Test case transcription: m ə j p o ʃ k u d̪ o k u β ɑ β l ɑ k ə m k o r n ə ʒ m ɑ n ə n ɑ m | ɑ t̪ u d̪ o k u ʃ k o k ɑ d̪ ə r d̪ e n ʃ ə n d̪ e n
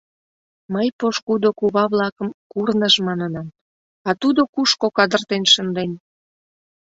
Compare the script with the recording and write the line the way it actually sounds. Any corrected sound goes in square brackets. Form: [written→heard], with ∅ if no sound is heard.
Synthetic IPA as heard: m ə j p o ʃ k u d̪ o k u β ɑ β l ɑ k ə m k [o→u] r n ə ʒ m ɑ n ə n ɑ m | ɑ t̪ u d̪ o k u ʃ k o k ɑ d̪ ə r [d̪→t̪] e n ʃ ə n d̪ e n